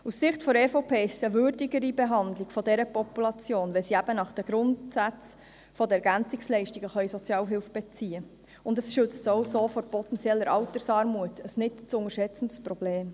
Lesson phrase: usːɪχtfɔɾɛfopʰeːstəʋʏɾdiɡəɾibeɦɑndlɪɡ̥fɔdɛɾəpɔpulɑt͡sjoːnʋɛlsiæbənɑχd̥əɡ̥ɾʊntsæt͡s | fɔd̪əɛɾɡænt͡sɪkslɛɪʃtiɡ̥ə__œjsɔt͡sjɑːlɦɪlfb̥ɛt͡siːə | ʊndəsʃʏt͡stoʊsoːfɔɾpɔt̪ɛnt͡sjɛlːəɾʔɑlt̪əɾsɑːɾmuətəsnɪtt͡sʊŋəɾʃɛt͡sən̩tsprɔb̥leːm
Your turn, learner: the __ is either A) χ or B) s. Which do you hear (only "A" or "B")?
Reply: A